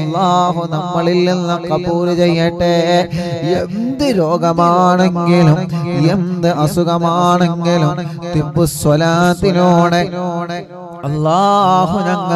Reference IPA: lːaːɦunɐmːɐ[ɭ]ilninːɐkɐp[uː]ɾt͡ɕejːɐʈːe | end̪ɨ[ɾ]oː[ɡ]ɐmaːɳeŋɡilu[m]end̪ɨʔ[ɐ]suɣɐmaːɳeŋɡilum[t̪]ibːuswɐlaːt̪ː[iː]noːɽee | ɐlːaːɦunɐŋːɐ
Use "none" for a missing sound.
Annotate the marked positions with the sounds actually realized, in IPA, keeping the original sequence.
ɭ, uː, ɾ, ɡ, m, ɐ, t̪, i

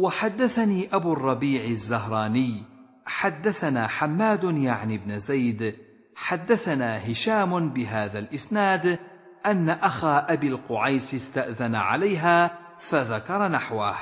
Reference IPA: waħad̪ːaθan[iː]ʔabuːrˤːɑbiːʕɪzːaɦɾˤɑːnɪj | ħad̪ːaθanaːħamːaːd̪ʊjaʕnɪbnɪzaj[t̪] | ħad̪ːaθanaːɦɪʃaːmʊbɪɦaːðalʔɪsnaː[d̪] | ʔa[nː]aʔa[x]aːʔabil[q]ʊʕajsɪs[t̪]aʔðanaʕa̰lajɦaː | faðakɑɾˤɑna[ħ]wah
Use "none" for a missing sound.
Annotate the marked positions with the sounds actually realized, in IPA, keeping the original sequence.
iː, d̪, d̪, nː, x, q, t̪, ħ

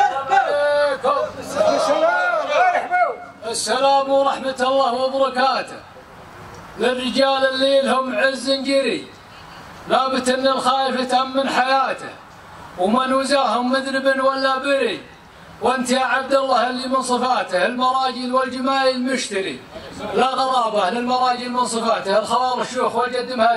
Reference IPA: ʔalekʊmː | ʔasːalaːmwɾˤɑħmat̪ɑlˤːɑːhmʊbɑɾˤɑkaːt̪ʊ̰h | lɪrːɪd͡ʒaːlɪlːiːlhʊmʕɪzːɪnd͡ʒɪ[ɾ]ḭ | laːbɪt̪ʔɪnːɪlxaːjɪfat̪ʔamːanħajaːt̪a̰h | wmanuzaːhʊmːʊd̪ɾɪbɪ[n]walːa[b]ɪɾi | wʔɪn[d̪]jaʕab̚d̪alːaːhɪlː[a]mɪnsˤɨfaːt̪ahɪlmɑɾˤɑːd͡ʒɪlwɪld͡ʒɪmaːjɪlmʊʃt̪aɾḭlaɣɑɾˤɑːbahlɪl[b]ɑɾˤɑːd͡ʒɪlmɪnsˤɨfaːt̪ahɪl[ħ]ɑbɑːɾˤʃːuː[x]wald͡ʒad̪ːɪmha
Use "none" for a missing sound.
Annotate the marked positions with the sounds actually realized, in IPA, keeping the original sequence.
ɾ, n, b, t̪, i, m, x, x

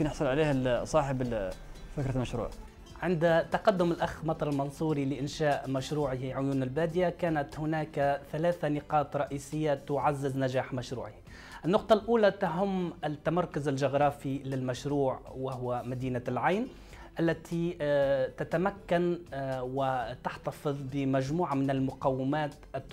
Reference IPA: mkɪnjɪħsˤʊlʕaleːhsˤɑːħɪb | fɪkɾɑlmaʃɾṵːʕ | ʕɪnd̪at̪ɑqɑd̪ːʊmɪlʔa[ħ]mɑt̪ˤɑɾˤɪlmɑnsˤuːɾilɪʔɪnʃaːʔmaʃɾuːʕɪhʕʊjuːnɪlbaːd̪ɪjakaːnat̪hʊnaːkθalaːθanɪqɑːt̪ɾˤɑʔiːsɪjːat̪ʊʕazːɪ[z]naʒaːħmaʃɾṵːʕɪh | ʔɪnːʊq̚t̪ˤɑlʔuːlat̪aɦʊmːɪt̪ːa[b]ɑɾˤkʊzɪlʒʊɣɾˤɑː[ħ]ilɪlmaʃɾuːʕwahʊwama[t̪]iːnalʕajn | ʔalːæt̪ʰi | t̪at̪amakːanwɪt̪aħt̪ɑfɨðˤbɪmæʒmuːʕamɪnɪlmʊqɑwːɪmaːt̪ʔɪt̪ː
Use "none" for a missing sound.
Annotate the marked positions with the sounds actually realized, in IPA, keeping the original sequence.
x, z, m, f, d̪

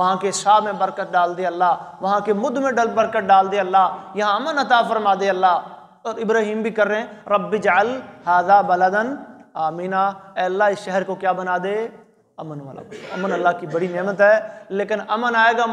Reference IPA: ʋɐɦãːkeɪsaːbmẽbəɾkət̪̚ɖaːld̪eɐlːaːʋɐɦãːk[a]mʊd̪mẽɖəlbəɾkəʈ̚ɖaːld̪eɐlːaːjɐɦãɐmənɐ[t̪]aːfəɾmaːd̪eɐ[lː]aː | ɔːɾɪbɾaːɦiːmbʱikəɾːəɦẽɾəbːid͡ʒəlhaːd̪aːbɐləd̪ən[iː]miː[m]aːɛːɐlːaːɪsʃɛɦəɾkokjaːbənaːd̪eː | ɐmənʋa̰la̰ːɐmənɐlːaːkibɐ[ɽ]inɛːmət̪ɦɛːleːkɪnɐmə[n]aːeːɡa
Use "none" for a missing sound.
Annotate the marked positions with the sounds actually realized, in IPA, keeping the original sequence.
e, t̪, lː, aː, n, ɽ, n

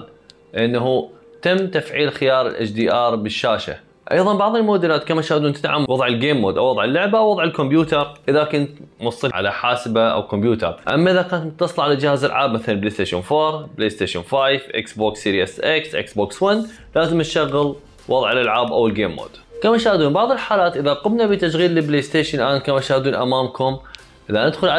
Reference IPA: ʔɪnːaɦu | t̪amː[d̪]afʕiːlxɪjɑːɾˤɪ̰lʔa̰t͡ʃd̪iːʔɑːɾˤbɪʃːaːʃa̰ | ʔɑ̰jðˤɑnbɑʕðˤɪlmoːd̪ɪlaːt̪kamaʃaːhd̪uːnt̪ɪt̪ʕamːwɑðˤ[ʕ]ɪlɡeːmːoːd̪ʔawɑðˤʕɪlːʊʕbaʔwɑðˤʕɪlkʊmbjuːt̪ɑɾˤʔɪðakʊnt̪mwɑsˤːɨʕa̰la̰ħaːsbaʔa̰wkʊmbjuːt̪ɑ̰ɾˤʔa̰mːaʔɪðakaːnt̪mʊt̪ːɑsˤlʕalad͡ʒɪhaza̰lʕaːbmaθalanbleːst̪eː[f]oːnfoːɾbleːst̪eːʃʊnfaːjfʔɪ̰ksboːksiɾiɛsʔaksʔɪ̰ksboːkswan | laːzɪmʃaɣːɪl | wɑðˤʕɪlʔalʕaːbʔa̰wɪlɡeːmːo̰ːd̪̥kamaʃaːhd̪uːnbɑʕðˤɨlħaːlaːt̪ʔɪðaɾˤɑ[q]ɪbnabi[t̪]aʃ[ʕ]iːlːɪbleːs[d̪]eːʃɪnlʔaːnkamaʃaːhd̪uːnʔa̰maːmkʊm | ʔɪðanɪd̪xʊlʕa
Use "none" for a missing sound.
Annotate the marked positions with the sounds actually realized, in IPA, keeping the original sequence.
t̪, ʕ, ʃ, q, t̪, ɣ, t̪

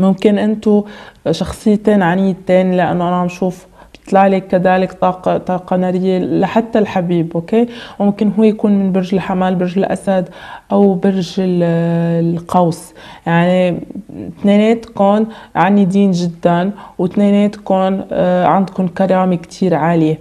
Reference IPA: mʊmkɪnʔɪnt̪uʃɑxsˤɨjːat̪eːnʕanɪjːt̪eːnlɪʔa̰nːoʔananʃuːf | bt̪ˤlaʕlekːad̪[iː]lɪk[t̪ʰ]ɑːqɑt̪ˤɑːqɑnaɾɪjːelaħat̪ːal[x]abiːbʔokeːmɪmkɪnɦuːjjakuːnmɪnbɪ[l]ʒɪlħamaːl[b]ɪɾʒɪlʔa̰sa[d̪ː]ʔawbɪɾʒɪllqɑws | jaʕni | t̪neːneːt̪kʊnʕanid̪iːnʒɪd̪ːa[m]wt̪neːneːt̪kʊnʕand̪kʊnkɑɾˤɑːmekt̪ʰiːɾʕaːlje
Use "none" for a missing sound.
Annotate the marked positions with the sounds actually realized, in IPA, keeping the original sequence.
aː, t̪, ħ, ɾ, b, d̪, n

